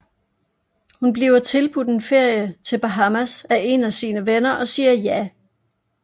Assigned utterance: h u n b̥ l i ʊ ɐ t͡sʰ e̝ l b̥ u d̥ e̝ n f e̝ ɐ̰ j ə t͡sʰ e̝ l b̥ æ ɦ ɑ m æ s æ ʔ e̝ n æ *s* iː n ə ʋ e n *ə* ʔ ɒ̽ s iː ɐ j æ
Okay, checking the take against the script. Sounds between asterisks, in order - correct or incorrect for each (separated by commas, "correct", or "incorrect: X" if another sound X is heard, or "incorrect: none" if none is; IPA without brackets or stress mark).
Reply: correct, incorrect: ɐ